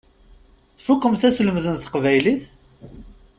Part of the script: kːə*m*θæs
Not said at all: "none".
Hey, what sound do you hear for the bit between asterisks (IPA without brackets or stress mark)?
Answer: m